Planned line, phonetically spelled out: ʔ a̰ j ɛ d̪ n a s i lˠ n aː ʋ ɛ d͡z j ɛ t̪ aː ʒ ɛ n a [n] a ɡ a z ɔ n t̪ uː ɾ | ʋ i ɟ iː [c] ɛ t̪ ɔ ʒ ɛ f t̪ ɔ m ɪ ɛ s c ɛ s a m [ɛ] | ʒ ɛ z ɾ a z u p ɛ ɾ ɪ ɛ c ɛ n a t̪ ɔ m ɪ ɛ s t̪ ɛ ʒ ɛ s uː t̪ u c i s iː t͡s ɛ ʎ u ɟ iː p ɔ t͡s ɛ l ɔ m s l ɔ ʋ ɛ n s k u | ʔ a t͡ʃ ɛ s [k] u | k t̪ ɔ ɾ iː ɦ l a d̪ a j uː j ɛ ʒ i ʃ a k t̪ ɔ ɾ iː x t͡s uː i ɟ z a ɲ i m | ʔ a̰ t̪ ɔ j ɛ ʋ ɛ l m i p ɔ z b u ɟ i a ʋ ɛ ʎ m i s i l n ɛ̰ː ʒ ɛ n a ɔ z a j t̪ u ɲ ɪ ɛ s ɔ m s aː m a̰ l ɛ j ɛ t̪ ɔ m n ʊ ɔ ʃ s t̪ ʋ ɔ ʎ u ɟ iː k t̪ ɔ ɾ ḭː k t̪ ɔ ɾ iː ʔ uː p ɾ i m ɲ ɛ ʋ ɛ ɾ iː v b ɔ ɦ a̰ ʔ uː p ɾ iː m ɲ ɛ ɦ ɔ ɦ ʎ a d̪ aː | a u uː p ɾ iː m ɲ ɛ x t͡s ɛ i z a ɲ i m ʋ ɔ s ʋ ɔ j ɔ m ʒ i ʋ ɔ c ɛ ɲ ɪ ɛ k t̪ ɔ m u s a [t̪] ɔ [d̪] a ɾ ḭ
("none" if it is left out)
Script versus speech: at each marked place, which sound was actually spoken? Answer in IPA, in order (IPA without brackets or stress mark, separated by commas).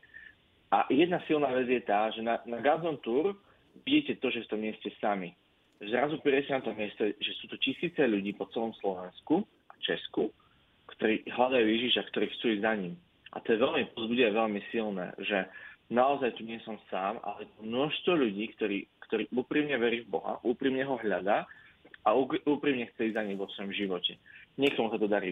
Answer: n, c, i, k, t̪, d̪